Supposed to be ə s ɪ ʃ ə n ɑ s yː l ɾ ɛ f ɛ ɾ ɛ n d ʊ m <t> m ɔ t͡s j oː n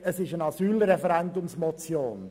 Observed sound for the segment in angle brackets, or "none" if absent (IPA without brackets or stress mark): s